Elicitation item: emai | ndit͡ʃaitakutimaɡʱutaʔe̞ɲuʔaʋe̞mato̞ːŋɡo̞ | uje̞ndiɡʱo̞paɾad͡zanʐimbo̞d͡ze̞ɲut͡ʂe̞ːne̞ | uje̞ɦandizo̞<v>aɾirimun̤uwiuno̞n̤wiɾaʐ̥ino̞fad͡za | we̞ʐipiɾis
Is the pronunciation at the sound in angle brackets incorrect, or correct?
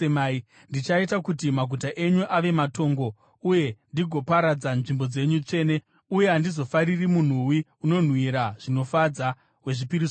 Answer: incorrect: f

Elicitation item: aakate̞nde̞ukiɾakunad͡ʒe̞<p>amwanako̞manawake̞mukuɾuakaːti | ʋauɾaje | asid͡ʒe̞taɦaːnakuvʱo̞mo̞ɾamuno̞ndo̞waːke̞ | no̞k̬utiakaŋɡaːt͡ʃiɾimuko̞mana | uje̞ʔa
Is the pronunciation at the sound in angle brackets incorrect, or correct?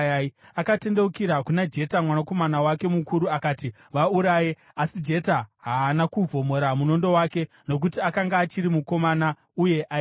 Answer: incorrect: t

